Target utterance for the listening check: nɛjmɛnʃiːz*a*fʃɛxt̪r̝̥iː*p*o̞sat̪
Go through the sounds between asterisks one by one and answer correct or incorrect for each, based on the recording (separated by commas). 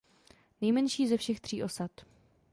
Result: incorrect, incorrect